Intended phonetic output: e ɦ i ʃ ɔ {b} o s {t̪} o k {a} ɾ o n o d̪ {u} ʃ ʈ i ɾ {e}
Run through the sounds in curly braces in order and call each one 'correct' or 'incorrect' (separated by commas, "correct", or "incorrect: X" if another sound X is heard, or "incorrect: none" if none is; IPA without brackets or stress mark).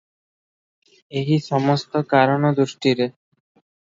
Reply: incorrect: m, correct, correct, correct, correct